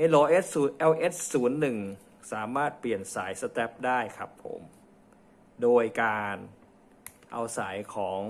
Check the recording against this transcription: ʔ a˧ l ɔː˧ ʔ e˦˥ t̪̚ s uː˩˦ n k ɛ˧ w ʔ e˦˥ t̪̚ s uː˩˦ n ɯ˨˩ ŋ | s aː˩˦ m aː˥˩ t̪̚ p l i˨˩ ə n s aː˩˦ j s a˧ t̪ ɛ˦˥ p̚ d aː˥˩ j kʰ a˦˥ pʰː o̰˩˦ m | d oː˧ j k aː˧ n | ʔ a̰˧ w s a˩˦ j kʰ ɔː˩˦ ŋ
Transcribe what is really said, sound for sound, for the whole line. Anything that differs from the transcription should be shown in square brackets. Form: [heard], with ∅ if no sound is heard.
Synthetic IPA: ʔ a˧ l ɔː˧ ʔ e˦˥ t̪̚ s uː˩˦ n [ʔ] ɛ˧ w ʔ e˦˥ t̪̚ s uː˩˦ [nː] ɯ˨˩ ŋ | s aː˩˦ m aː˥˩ t̪̚ p l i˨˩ ə n s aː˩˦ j s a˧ t̪ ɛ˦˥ p̚ d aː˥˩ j kʰ a˦˥ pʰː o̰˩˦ m | d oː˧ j k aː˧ n | ʔ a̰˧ w s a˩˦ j kʰ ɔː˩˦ ŋ